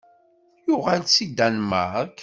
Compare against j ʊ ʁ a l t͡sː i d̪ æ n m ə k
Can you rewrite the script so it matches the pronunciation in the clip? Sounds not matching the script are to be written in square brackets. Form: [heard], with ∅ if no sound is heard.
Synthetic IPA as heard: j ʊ ʁ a l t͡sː i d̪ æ n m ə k